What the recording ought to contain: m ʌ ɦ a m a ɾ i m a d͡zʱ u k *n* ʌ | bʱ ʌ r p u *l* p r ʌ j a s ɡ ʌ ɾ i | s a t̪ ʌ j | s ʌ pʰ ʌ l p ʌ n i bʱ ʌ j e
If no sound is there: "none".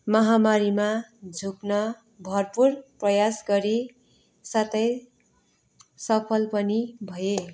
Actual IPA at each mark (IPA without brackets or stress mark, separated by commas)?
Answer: n, r